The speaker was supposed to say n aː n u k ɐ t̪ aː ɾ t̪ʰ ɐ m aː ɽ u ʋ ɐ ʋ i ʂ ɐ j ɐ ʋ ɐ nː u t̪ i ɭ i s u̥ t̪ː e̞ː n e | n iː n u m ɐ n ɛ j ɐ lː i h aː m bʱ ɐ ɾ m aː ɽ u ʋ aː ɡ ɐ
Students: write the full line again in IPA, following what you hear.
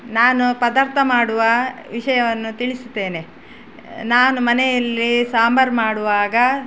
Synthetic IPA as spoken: n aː n u p ɐ d̪ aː ɾ t̪ʰ ɐ m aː ɽ u ʋ ɐ ʋ i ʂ ɐ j ɐ ʋ ɐ nː u t̪ i ɭ i s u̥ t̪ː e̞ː n e | n aː n u m ɐ n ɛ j ɐ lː i s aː m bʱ ɐ ɾ m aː ɽ u ʋ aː ɡ ɐ